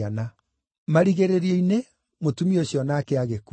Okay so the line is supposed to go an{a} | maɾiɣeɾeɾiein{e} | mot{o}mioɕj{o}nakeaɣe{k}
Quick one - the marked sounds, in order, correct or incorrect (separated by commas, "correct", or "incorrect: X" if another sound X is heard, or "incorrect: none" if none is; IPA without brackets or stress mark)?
correct, correct, incorrect: u, incorrect: ɔ, correct